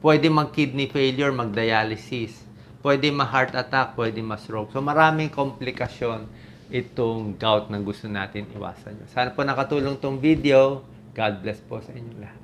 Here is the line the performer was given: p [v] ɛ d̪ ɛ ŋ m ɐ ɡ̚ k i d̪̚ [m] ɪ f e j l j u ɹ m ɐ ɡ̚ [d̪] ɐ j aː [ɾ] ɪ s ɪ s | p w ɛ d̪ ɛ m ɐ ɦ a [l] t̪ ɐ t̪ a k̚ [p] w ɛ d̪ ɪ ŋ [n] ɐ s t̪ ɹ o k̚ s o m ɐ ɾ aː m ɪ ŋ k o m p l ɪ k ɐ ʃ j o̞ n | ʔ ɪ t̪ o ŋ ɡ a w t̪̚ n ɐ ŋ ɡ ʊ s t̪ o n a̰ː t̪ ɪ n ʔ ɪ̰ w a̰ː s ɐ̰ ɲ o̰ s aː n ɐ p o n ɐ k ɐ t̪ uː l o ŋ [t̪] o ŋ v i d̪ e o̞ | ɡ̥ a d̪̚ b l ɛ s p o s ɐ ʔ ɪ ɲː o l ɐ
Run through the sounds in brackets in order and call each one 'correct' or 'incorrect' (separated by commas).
incorrect, incorrect, correct, incorrect, incorrect, correct, incorrect, correct